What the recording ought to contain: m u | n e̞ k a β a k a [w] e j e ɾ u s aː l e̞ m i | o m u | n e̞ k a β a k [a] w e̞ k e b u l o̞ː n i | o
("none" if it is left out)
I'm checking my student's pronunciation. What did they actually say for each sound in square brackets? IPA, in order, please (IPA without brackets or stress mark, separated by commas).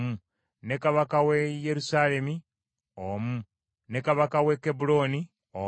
w, a